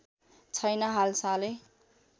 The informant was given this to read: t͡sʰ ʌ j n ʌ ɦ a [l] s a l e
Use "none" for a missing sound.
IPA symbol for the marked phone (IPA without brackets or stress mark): l